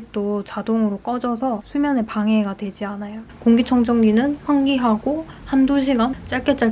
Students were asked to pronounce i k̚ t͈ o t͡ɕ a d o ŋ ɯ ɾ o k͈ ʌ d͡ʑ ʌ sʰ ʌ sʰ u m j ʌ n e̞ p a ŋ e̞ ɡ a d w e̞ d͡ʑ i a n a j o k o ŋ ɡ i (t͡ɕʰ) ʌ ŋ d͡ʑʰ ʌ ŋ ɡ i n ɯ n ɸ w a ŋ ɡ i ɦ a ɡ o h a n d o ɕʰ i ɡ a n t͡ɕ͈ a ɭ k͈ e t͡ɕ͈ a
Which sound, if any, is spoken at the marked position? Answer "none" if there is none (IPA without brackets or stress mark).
t͡ɕʰ